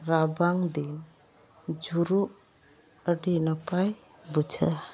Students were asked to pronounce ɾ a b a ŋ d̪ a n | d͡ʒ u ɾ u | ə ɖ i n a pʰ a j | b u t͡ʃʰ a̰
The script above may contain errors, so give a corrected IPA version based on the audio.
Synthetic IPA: ɾ a b a ŋ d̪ i n | d͡ʒ u ɾ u | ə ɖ i n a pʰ a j | b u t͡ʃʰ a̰